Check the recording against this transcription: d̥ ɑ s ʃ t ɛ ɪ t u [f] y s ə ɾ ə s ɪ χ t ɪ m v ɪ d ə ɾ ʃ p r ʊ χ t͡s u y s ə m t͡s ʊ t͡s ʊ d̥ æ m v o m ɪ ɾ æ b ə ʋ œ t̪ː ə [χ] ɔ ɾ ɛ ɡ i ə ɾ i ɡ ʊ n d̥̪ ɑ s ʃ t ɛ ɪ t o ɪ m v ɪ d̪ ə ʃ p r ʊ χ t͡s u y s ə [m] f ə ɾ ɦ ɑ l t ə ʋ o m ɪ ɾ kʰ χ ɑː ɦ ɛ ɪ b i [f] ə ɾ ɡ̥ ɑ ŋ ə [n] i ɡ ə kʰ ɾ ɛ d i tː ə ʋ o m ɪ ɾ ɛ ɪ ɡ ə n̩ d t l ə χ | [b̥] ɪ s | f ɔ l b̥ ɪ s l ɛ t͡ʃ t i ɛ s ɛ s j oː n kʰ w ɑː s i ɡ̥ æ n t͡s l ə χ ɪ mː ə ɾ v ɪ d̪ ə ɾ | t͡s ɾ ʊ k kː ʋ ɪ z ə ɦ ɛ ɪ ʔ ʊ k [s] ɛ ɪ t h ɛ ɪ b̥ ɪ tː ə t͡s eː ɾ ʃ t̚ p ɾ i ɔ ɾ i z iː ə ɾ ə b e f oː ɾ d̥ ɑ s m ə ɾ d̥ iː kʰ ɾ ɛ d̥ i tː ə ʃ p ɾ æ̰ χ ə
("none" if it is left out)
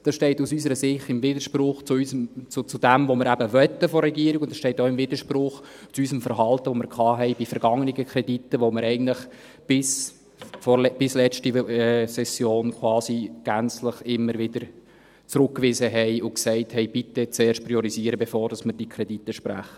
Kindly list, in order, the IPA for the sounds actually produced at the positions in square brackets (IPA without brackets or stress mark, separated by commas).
s, f, m, f, n, b̥, s